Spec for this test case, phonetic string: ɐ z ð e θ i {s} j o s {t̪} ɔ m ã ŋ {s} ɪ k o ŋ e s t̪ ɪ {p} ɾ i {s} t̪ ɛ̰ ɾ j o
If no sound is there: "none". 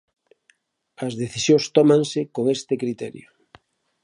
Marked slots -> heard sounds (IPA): s, t̪, s, k, none

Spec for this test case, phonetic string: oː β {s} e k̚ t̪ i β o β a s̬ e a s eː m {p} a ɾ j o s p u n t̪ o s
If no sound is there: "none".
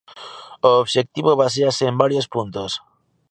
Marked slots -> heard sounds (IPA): ʃ, b

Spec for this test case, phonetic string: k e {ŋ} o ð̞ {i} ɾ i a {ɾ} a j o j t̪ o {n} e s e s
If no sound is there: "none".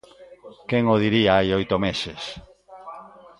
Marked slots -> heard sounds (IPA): ŋ, i, none, m

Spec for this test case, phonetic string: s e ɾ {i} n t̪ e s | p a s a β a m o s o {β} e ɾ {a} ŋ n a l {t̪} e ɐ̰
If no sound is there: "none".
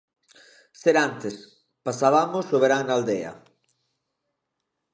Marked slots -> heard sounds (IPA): a, β, a, d̪

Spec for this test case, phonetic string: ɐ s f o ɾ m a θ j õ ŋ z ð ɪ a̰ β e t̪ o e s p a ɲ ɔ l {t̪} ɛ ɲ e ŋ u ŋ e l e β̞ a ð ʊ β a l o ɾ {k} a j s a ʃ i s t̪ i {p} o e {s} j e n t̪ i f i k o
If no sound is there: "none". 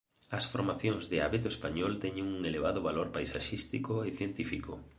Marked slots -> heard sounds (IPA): t̪, p, k, θ

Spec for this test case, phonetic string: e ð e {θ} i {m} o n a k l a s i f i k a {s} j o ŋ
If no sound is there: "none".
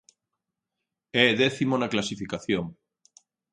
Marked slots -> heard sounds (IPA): θ, m, θ

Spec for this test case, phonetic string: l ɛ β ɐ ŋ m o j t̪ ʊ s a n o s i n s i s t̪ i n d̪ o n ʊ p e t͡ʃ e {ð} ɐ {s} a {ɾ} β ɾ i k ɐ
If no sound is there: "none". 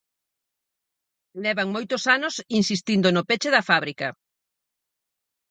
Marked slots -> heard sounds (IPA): ð, f, none

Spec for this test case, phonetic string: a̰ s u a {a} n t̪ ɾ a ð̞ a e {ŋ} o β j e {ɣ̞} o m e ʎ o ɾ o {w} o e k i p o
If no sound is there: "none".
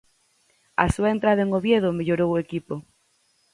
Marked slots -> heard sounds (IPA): e, ŋ, ð̞, w

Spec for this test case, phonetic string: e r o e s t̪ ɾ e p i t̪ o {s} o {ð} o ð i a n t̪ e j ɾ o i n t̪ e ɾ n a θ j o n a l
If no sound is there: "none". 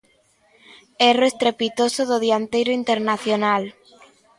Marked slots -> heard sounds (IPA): s, ð

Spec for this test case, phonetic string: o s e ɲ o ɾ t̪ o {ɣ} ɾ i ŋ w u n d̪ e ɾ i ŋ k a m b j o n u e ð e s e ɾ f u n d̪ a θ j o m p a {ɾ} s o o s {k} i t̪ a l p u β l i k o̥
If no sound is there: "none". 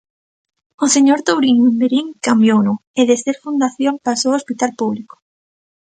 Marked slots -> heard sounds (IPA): w, none, p

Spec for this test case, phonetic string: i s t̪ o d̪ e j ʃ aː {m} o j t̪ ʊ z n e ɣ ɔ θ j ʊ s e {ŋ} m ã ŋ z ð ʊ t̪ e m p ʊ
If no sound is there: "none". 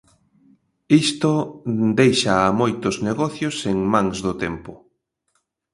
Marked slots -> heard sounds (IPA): m, ŋ

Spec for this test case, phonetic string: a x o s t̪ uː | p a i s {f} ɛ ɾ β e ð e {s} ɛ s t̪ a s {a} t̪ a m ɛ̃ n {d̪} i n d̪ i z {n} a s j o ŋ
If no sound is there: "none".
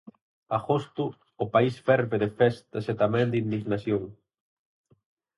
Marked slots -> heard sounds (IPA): f, f, e, d̪, n

